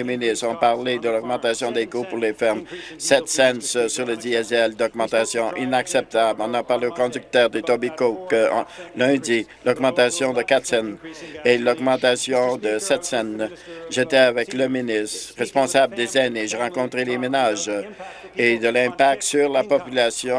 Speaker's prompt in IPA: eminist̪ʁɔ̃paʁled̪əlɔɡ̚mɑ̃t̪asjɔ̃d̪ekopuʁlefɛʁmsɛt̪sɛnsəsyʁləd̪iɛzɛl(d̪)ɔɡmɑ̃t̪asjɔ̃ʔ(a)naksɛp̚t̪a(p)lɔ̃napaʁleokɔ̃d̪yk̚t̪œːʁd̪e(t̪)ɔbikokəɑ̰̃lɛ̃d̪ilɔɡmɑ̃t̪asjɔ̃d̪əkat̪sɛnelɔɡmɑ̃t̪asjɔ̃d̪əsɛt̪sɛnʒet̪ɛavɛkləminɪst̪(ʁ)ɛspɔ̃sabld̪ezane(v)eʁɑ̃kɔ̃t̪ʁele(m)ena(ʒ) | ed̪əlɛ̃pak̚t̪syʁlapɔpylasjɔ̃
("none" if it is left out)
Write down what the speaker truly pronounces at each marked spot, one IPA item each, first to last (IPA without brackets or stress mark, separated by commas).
d̪, i, b, t̪, ʁ, ʒ, m, ʒ